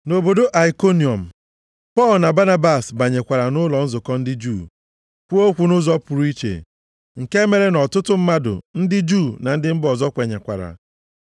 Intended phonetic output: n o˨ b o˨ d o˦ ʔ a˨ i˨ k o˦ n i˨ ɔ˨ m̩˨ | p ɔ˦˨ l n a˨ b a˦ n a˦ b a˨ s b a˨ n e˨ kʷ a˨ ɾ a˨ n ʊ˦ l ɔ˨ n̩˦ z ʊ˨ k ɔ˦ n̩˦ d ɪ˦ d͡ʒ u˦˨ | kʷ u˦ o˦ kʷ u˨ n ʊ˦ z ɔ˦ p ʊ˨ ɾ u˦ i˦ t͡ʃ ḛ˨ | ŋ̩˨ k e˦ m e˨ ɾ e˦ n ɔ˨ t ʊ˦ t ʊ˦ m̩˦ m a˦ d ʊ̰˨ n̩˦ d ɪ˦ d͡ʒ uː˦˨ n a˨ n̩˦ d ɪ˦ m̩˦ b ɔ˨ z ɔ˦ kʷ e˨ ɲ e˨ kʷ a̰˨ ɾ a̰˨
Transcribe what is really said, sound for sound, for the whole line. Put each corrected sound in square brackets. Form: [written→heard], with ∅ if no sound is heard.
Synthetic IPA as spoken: n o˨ b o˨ d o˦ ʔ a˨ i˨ k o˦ n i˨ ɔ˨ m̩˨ | p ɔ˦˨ l n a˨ b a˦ n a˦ b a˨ s b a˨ [n→ɲ] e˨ kʷ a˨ ɾ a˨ n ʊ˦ l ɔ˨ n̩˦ z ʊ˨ k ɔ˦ n̩˦ d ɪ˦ d͡ʒ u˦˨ | kʷ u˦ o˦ kʷ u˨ n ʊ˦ z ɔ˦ p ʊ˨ ɾ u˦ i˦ t͡ʃ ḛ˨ | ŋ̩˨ k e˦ m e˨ ɾ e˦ n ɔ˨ t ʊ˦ t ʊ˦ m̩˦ m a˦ d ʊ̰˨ n̩˦ d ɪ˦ d͡ʒ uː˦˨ n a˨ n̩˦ d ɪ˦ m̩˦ b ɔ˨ z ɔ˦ kʷ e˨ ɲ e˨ kʷ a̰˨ ɾ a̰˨